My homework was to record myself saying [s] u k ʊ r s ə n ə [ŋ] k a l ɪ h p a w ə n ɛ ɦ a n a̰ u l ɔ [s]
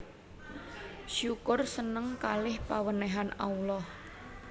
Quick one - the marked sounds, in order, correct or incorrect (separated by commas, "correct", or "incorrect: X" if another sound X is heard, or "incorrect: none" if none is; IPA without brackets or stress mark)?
incorrect: ʃ, correct, incorrect: h